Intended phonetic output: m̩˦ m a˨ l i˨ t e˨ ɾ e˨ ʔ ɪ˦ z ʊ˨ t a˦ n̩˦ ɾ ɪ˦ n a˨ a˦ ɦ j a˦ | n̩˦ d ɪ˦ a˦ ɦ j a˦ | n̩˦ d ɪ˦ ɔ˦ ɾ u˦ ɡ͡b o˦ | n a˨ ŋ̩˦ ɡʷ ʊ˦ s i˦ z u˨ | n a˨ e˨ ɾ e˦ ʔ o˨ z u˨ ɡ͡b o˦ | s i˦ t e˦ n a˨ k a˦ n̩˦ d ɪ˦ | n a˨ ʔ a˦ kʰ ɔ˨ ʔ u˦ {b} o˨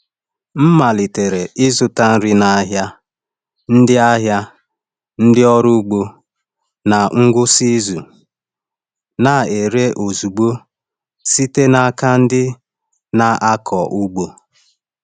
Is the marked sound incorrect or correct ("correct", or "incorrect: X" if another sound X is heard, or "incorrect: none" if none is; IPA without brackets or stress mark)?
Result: incorrect: ɡ͡b